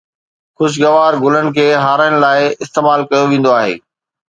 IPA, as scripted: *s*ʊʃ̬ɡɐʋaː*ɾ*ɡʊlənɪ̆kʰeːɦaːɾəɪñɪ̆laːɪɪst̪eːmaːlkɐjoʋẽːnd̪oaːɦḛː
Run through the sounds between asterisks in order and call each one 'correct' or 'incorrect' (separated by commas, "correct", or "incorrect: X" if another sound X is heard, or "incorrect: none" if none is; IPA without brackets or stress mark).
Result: incorrect: x, correct